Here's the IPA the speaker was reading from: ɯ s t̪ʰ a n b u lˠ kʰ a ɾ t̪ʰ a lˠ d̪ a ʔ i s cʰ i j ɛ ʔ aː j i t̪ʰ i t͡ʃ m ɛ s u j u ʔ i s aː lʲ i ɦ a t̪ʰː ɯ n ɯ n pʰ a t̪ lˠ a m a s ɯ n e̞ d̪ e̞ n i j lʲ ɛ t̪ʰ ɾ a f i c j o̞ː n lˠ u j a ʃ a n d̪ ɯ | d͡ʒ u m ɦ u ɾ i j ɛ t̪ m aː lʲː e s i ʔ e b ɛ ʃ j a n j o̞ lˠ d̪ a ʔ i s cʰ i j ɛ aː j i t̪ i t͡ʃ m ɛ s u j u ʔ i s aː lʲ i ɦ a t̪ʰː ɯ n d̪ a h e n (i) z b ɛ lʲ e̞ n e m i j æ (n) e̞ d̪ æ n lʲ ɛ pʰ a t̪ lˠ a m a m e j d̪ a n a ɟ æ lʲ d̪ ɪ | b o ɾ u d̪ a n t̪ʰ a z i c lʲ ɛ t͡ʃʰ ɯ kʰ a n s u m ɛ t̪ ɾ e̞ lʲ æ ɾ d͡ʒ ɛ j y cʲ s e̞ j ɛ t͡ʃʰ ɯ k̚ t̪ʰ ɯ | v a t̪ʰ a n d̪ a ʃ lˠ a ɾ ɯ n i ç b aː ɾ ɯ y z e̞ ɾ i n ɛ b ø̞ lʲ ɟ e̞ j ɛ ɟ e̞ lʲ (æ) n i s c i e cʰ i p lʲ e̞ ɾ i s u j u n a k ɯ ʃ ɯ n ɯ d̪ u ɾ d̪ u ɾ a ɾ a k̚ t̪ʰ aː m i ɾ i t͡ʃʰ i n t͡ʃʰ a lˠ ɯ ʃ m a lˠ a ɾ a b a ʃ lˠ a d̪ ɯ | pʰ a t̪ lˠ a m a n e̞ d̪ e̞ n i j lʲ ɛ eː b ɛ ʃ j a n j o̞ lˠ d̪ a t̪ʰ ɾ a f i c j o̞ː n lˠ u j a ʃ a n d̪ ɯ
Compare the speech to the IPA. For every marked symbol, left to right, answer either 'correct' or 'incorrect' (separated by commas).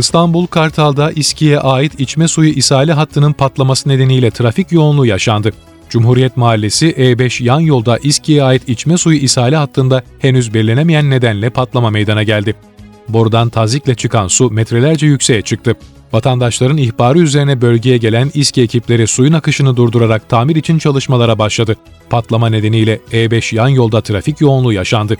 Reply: incorrect, incorrect, correct